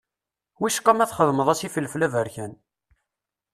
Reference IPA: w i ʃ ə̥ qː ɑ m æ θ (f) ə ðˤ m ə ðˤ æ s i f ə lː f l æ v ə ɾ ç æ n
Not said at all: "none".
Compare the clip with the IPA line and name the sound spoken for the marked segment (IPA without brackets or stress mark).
χ